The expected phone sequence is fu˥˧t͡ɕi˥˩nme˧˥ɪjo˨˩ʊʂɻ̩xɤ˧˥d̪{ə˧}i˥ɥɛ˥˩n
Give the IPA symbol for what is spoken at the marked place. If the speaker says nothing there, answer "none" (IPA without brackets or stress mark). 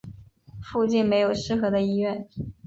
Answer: ə˧